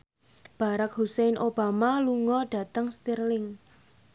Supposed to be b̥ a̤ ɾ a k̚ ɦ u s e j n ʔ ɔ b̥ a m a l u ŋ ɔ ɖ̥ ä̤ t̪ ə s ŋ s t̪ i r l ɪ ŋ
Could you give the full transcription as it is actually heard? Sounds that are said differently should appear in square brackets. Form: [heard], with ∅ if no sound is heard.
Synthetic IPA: b̥ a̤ ɾ a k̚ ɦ u s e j n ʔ [o] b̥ a m a l u ŋ ɔ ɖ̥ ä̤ t̪ ə [∅] ŋ s t̪ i r l ɪ ŋ